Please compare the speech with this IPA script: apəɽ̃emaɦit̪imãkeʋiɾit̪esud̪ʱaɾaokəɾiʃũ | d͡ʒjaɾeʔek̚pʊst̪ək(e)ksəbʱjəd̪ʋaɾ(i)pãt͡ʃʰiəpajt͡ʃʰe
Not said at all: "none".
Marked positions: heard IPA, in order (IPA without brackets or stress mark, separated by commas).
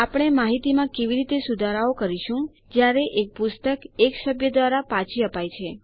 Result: e, a